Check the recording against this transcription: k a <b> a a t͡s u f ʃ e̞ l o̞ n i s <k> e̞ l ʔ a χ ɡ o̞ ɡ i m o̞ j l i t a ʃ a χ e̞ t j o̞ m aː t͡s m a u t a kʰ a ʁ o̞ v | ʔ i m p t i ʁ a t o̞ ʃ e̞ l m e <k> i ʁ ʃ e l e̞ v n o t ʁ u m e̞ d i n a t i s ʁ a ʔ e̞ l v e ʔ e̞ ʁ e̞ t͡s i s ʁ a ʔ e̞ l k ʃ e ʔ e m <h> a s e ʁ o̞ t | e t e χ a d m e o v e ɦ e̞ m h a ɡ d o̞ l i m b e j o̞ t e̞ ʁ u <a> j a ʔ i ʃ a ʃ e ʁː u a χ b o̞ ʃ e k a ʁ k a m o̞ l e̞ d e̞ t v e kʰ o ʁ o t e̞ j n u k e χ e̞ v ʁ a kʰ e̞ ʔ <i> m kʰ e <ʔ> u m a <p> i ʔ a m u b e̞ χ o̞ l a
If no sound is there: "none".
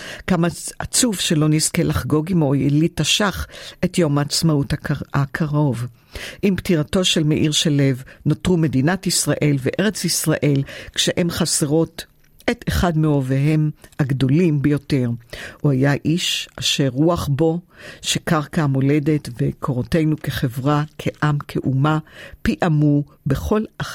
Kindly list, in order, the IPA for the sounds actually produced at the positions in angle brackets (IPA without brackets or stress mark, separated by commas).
m, k, ʔ, χ, a, a, ʔ, p